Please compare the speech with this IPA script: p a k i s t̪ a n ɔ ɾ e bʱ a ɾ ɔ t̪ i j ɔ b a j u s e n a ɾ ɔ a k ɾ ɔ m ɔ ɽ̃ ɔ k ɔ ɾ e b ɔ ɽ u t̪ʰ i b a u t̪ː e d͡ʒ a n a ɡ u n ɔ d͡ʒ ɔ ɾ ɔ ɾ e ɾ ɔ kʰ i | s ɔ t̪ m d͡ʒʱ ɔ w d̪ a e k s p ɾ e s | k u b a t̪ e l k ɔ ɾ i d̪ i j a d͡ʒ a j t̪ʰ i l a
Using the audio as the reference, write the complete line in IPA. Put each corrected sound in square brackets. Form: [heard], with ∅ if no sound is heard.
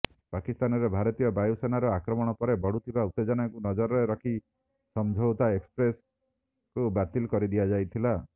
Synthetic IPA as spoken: p a k i s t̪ a n ɔ ɾ e bʱ a ɾ ɔ t̪ i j ɔ b a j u s e n a ɾ ɔ a k ɾ ɔ m ɔ ɽ̃ ɔ [p] ɔ ɾ e b ɔ ɽ u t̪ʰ i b a u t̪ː e d͡ʒ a n a [k] u n ɔ d͡ʒ ɔ ɾ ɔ ɾ e ɾ ɔ kʰ i | s ɔ [∅] m d͡ʒʱ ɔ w [t̪] a e k s p ɾ e s | k u b a t̪ [i] l k ɔ ɾ i d̪ i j a d͡ʒ a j t̪ʰ i l a